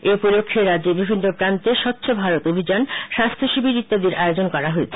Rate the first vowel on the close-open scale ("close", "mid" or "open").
mid